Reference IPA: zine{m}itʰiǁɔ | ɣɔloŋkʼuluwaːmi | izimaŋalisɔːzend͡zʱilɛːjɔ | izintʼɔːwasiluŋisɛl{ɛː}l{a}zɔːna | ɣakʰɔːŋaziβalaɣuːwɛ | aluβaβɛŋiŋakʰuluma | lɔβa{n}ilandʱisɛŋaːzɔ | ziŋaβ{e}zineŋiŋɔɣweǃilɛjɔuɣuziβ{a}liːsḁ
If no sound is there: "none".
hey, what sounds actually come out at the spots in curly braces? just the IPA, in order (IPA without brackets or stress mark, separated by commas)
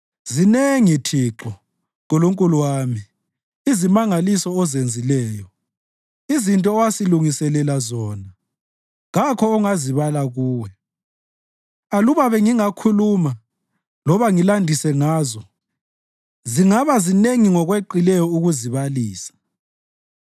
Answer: ŋ, ɛ, a, ŋ, a, a